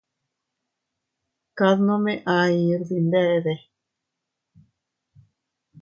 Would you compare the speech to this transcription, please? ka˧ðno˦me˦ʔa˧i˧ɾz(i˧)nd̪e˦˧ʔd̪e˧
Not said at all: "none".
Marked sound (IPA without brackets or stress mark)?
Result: i˧